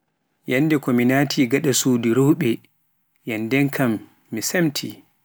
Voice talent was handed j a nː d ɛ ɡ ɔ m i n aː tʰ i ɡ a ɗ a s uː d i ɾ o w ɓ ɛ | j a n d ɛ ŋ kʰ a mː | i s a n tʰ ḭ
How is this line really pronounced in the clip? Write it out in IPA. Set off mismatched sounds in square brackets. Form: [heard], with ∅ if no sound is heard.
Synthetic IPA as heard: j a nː d ɛ [k] ɔ m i n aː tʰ i ɡ a ɗ a s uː d i ɾ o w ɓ ɛ | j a n d ɛ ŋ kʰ a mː | i s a [m] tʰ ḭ